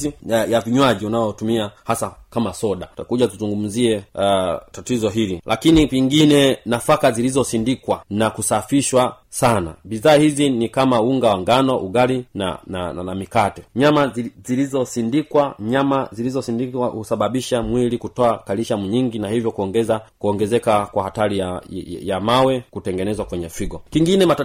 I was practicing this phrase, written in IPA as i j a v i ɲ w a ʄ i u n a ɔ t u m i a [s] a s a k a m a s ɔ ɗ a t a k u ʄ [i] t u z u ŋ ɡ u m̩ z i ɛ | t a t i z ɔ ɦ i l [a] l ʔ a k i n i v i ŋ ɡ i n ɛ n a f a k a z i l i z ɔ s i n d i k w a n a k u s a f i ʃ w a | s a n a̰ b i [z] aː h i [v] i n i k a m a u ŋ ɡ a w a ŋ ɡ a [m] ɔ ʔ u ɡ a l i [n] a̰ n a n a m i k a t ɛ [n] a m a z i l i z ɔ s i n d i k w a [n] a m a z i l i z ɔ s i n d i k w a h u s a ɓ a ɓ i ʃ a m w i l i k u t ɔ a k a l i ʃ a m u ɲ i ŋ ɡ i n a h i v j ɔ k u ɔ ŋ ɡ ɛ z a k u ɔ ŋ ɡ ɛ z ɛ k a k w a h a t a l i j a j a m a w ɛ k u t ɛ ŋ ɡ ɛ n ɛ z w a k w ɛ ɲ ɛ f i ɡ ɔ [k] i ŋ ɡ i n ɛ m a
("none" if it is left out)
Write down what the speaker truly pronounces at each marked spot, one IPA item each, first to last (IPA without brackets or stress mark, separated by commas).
h, a, i, ð, z, n, n, ɲ, ɲ, k